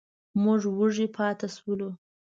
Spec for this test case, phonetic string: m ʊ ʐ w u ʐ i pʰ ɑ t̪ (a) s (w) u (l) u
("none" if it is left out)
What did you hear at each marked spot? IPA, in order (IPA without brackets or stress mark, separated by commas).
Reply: a, w, l